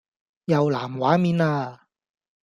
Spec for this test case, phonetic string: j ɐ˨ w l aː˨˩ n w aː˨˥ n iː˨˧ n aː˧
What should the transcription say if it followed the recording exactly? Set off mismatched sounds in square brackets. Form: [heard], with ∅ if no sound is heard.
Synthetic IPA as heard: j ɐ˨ w l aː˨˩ [m] w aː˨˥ [m] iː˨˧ n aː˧